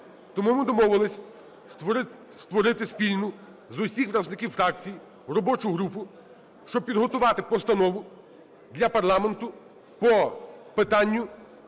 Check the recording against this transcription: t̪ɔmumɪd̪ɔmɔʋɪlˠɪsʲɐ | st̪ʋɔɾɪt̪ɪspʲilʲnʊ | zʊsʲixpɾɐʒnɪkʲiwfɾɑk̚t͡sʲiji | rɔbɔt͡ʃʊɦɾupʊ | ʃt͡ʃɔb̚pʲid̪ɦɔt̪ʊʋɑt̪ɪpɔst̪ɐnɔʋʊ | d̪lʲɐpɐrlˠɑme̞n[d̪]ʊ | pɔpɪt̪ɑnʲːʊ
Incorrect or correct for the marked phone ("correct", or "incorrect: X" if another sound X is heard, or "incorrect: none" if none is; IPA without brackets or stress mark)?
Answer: incorrect: t̪